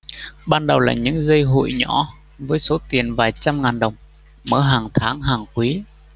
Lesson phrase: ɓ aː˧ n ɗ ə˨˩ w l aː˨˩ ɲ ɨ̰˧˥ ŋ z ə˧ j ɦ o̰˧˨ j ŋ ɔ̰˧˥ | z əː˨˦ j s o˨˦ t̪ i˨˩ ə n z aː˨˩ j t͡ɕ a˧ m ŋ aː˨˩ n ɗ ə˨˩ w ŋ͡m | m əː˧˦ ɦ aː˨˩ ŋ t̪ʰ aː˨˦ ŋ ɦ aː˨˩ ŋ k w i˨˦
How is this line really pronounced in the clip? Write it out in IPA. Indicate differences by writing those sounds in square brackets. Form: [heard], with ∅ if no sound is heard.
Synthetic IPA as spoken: ɓ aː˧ n ɗ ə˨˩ w l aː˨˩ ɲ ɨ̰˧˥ ŋ z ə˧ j ɦ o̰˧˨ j [ɲ] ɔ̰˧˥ | [v] əː˨˦ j s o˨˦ t̪ i˨˩ ə n [v] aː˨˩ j t͡ɕ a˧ m ŋ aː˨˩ n ɗ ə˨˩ w ŋ͡m | m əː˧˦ ɦ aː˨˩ ŋ t̪ʰ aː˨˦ ŋ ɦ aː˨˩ ŋ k w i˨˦